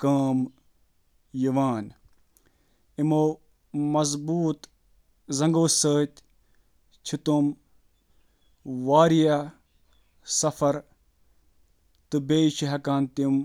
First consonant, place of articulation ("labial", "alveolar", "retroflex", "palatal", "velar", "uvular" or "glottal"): velar